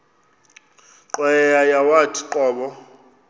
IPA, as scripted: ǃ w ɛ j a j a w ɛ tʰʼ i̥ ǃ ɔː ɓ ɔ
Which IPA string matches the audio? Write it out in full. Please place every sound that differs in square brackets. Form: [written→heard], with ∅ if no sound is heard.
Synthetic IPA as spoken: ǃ w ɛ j a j a w [ɛ→a] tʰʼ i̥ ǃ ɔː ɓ ɔ